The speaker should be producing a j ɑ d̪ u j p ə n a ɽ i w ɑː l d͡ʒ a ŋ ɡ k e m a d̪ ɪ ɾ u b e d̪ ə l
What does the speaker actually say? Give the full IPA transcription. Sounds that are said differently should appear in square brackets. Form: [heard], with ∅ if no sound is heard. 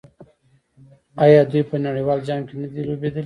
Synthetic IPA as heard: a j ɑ d̪ u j p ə n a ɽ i w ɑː l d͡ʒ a ŋ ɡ k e [n] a d̪ [i] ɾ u b e d̪ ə l